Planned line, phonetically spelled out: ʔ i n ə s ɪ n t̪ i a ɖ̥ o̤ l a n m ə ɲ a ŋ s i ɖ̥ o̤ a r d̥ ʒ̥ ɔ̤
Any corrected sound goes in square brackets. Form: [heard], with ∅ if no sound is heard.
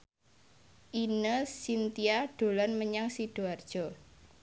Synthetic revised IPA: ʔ i n ə s [i] n t̪ i a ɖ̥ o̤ l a n m ə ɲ a ŋ s i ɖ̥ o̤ a r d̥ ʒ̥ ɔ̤